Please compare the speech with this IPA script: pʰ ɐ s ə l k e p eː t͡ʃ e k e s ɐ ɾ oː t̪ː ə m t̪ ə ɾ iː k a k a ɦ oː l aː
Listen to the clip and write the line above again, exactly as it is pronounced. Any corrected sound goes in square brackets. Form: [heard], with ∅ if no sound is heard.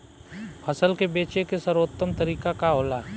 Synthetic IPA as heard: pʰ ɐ s ə l k e [b] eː t͡ʃ e k e s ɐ ɾ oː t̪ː ə m t̪ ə ɾ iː k a k a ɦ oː l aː